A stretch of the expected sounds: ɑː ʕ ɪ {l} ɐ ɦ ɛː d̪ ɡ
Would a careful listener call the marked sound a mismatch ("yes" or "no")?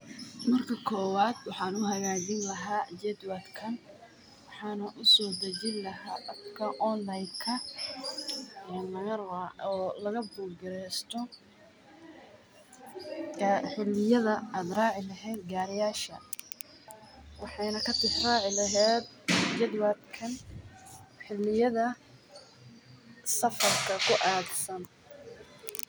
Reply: no